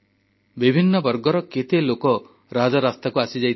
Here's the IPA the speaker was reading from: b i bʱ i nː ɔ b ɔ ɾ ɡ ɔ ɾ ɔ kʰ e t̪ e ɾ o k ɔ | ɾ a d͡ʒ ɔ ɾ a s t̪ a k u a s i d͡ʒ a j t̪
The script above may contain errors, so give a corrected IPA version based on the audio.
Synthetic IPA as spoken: b i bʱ i nː ɔ b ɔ ɾ ɡ ɔ ɾ ɔ k e t̪ e l o k ɔ | ɾ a d͡ʒ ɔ ɾ a s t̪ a k u a s i d͡ʒ a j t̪